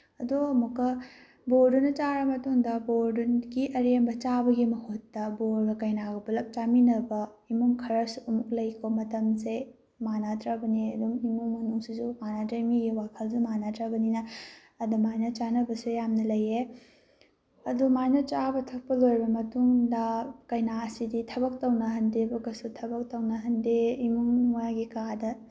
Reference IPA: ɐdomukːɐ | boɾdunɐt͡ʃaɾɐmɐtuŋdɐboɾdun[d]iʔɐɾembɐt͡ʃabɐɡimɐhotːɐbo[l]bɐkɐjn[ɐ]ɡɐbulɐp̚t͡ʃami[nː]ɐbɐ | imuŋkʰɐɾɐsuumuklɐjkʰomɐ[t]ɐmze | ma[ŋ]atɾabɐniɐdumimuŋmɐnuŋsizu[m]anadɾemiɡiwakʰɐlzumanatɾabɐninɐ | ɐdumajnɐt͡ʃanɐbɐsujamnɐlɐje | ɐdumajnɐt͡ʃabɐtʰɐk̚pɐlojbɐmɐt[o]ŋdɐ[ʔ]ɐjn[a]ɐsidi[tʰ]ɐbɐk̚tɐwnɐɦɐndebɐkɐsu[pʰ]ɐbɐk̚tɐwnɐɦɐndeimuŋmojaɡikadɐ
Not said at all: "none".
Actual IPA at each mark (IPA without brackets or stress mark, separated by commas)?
ɡ, ɾ, a, n, t, n, m, u, k, a, tʰ, tʰ